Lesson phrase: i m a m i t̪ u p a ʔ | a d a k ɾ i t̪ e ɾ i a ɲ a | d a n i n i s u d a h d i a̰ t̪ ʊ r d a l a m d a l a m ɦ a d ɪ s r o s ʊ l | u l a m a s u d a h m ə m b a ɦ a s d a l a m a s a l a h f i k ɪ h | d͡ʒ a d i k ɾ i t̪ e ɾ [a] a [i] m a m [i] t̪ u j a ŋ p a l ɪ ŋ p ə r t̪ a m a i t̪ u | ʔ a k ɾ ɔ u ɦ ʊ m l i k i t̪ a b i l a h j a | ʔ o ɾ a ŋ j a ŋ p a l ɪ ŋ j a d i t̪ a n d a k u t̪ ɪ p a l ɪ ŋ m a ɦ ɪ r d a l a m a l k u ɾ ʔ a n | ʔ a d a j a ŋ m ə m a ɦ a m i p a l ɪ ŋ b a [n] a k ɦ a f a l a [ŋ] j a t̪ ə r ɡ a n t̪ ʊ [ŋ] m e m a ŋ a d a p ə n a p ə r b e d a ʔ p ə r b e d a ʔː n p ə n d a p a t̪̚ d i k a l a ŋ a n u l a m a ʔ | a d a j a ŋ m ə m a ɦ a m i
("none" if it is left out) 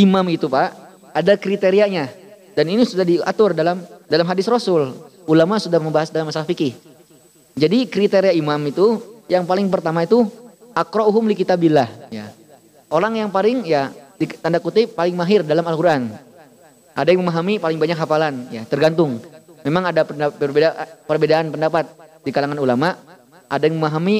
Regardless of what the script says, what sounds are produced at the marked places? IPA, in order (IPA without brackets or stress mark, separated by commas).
i, i, i, ɲ, n, ŋ